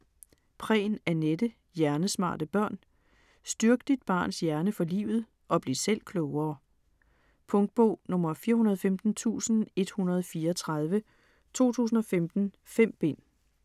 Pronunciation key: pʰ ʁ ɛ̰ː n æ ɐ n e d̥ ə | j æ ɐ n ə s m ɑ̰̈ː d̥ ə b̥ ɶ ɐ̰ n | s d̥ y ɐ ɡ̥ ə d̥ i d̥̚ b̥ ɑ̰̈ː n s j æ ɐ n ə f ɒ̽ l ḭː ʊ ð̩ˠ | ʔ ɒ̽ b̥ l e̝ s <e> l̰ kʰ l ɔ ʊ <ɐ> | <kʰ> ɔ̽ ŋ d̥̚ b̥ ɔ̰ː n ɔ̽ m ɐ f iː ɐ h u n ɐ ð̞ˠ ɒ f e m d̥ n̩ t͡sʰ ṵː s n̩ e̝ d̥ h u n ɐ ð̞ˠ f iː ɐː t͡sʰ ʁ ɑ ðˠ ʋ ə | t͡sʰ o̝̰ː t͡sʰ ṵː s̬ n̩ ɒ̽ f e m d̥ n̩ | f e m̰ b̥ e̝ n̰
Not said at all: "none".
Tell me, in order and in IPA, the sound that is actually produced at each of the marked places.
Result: e, ɐː, pʰ

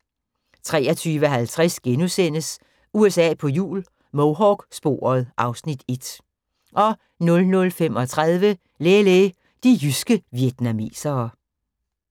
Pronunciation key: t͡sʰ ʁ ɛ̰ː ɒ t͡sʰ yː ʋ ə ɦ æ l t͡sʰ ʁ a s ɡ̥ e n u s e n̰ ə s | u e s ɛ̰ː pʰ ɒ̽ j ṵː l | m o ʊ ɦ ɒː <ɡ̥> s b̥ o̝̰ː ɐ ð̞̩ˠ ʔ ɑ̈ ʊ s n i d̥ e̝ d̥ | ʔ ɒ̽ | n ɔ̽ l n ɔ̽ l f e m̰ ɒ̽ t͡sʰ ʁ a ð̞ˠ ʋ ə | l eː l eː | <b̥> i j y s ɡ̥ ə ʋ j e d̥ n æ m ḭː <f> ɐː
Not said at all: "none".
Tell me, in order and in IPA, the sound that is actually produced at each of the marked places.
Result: ɡ̥, d̥, s

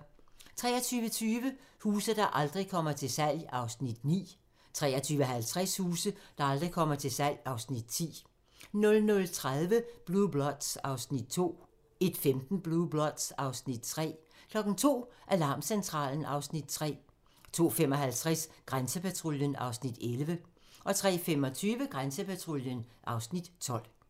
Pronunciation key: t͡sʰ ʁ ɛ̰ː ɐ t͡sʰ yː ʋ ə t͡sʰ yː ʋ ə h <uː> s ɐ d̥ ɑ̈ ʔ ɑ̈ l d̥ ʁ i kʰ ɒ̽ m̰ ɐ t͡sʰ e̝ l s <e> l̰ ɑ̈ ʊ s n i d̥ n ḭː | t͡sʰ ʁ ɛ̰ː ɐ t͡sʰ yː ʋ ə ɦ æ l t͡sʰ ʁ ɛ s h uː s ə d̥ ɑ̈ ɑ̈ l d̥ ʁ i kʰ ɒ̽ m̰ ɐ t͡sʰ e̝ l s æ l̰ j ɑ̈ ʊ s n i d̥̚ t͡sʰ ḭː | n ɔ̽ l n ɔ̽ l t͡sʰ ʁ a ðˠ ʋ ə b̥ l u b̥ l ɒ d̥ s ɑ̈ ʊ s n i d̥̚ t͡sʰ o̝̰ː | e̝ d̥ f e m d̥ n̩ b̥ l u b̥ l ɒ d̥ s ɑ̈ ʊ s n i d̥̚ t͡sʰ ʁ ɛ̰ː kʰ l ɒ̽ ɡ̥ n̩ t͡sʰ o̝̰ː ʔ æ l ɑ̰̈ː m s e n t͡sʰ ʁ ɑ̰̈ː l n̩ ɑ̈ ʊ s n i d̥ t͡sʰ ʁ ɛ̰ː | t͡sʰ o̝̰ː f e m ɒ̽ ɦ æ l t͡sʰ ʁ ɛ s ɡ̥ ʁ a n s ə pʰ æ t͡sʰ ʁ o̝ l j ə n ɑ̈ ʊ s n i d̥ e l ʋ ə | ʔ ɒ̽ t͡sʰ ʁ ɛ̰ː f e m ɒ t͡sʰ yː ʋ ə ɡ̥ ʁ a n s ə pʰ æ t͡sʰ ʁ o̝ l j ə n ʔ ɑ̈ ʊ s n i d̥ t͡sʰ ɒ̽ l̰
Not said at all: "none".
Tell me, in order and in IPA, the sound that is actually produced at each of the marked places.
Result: uː, æ

